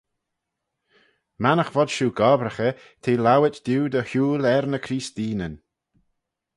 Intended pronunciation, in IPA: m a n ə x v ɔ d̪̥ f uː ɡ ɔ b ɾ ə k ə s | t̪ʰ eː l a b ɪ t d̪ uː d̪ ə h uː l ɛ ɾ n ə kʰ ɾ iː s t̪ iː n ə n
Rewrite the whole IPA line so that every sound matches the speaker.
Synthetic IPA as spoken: m a n ə x v ɔ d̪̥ ʃ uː ɡ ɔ b ɾ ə x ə | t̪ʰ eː l a w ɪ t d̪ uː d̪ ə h uː l ɛ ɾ n ə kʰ ɾ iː s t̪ iː n ə n